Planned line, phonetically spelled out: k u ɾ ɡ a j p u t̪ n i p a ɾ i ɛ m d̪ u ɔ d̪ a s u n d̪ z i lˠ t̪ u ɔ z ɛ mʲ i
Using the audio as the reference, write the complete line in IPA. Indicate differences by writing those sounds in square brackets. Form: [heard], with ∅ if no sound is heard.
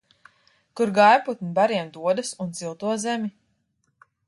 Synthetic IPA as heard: k u ɾ ɡ a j p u t̪ n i [b] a ɾ i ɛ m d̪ u ɔ d̪ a s u n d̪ z i lˠ t̪ u ɔ z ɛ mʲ i